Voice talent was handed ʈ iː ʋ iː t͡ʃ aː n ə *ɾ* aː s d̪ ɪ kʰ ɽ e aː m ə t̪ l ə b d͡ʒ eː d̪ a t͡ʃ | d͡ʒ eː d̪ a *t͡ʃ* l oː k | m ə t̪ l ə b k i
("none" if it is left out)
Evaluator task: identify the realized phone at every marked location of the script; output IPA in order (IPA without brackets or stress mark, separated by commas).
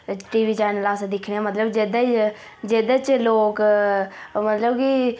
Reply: l, t͡ʃ